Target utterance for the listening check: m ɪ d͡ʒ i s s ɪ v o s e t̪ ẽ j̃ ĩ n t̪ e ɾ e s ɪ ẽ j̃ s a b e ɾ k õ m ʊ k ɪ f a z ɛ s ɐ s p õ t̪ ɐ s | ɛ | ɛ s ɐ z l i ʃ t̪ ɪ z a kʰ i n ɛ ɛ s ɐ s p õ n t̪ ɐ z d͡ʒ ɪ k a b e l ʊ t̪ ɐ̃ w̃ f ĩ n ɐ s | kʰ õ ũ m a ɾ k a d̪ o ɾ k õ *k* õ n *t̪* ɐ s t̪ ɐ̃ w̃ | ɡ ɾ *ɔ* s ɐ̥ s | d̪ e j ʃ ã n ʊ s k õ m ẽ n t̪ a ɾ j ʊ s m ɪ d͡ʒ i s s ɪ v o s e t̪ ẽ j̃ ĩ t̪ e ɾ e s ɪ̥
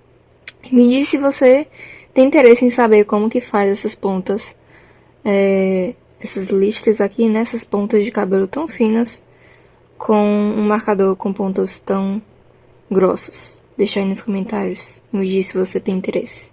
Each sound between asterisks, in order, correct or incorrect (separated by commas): incorrect, correct, correct